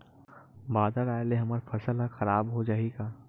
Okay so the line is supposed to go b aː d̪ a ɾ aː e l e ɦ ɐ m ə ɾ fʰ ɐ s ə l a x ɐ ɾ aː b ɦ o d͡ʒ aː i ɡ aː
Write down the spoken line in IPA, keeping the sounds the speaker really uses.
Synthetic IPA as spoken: b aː d̪ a ɾ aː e l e ɦ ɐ m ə ɾ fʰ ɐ s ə l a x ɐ ɾ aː b ɦ o d͡ʒ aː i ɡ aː

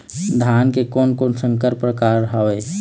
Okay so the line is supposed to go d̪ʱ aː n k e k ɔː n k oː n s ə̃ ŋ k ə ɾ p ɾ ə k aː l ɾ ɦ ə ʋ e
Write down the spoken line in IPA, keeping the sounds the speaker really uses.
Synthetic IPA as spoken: d̪ʱ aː n k e k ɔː n k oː n s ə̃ ŋ k ə ɾ p ɾ ə k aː ɾ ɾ ɦ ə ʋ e

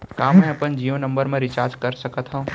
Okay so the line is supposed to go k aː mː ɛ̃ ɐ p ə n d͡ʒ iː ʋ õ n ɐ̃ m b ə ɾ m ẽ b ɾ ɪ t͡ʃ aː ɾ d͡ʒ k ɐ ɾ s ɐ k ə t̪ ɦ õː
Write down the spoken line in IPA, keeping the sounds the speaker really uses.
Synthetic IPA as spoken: k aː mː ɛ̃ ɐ p ə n d͡ʒ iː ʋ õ n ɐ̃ m b ə ɾ m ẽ ɾ ɪ t͡ʃ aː ɾ d͡ʒ k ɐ ɾ s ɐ k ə t̪ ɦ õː

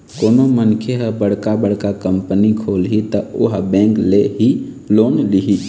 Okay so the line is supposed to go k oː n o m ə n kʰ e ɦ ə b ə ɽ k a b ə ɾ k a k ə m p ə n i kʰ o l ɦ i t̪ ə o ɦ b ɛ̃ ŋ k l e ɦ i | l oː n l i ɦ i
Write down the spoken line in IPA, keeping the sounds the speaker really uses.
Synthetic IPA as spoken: k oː n o m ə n kʰ e ɦ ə b ə ɽ k a b ə ɽ k a k ə m p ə n i kʰ o l ɦ i t̪ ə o ɦ b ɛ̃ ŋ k l e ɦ i | l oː n l i ɦ i

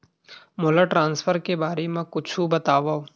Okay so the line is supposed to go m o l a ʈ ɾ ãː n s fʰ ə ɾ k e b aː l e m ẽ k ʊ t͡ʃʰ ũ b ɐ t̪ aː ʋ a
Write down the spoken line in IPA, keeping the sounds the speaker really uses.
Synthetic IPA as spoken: m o l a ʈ ɾ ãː n s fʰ ə ɾ k e b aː ɾ e m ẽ k ʊ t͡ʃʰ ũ b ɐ t̪ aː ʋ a

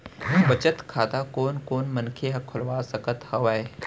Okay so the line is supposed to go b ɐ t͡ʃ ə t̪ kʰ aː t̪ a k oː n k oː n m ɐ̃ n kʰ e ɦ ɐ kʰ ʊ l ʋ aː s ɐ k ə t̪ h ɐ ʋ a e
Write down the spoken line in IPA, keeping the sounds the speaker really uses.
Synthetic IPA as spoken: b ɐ t͡ʃ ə t̪ kʰ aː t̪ a k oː n k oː n m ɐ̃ n kʰ e ɦ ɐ kʰ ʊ l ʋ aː s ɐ k ə t̪ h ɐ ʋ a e

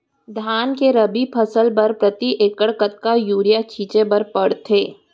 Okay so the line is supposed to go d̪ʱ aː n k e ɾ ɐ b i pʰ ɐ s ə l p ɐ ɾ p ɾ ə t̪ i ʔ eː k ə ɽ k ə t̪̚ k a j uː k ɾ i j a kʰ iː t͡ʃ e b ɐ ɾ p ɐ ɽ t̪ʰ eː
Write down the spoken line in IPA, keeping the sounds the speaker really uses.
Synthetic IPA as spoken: d̪ʱ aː n k e ɾ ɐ b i pʰ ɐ s ə l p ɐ ɾ p ɾ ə t̪ i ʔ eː k ə ɽ k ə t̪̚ k a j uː ɾ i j a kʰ iː t͡ʃ e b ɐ ɾ p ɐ ɽ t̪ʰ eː

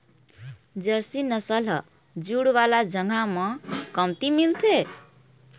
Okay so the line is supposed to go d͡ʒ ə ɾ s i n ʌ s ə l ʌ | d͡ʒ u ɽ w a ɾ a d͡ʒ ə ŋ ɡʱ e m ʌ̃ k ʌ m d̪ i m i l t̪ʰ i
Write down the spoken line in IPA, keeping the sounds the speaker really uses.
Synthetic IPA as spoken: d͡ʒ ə ɾ s i n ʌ s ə l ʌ | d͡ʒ u ɽ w a l a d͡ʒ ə ŋ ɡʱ a m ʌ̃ k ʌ m t̪ i m i l t̪ʰ e

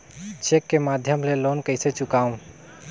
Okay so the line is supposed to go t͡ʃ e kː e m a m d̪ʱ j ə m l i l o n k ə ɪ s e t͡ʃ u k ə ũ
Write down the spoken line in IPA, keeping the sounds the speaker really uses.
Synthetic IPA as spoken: t͡ʃ e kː e m a d̪ʱ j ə m l e l o n k ə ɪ s e t͡ʃ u k a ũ

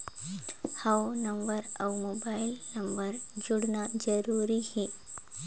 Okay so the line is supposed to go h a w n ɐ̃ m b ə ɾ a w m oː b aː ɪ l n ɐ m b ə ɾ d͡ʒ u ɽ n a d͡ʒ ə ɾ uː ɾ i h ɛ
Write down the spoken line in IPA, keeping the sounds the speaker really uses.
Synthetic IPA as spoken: h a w n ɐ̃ m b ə ɾ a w m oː b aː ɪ l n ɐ m b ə ɾ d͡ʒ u ɽ n a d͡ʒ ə ɾ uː ɾ i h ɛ

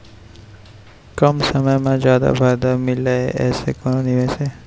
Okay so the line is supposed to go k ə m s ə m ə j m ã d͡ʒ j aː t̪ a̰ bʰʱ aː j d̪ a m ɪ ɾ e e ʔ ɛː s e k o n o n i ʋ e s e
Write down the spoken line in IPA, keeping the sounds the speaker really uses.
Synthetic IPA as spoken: k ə m s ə m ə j m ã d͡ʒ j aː d̪ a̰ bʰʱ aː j d̪ a m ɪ l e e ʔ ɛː s e k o n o n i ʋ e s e

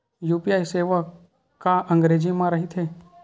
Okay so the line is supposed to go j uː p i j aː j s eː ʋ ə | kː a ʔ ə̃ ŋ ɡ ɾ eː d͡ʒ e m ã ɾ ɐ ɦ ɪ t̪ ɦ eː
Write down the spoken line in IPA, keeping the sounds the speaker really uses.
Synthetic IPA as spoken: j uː p i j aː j s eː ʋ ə | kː a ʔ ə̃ ŋ ɡ ɾ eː d͡ʒ i m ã ɾ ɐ ɦ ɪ t̪ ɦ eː

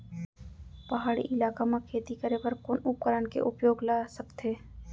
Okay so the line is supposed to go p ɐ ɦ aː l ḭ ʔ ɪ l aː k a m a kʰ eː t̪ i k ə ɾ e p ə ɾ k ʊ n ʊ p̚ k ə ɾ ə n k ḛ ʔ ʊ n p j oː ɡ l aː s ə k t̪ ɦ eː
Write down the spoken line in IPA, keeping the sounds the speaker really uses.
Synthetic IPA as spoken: p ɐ ɦ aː ɽ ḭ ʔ ɪ l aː k a m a kʰ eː t̪ i k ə ɾ e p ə ɾ k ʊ n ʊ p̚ k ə ɾ ə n k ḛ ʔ ʊ p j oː ɡ l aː s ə k t̪ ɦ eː

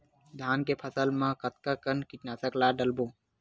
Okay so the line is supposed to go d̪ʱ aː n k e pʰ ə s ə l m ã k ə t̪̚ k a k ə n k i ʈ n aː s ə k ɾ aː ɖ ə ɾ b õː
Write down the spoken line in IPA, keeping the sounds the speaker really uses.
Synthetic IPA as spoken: d̪ʱ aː n k e pʰ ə s ə l m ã k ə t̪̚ k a k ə n k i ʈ n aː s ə k l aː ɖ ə l b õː

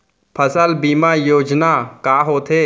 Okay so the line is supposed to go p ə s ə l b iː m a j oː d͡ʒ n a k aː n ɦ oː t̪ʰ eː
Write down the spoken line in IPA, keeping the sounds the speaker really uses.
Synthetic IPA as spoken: pʰ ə s ə l b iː m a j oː d͡ʒ n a k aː ɦ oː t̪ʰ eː

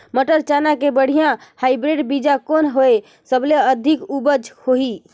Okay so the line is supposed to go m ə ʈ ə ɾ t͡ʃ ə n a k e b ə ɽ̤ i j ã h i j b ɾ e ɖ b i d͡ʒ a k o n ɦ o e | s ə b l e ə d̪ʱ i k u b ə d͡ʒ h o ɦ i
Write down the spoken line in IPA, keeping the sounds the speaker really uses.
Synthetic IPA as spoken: m ə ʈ ə ɾ t͡ʃ a n a k e b ə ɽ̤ i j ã h a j b ɾ e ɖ b i d͡ʒ a k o n ɦ o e | s ə b l e ə d̪ʱ i k u b ə d͡ʒ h o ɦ i

